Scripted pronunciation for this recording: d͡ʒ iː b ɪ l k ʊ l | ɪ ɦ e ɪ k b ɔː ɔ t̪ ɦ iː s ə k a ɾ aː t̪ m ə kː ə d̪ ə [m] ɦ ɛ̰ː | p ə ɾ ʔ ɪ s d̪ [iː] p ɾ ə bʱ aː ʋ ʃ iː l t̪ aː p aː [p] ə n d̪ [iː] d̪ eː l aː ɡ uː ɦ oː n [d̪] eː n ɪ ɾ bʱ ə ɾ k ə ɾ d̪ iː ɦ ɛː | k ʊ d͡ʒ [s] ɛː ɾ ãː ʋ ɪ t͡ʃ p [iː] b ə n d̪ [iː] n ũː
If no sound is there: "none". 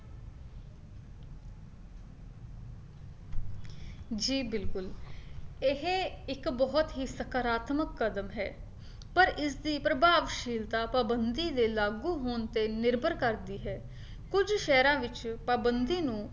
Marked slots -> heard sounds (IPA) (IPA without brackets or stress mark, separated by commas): m, iː, b, iː, t̪, ʃ, aː, iː